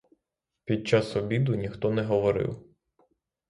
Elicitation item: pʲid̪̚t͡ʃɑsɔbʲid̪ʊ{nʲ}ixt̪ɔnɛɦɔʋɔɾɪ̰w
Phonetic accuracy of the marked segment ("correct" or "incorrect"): correct